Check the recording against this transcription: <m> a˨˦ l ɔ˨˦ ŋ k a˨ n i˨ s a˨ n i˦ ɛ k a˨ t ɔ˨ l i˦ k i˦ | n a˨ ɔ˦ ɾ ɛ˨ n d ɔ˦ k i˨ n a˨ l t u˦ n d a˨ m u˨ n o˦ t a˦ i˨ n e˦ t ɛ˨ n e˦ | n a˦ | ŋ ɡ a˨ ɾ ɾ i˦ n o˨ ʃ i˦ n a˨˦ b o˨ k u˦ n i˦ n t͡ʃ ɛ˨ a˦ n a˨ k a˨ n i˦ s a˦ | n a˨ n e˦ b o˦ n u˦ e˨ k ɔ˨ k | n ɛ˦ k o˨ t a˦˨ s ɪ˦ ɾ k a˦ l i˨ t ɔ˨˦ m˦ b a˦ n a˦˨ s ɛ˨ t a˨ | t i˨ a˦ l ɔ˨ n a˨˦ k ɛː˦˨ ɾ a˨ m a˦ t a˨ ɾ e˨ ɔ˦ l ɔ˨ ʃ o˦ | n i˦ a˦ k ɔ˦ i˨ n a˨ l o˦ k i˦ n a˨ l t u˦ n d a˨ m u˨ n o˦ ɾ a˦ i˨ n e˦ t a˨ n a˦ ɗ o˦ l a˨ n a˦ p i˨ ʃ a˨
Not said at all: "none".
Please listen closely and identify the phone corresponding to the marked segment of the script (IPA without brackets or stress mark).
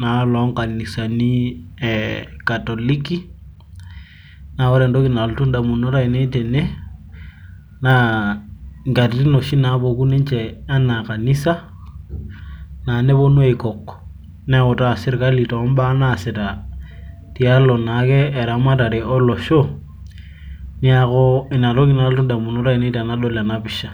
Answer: n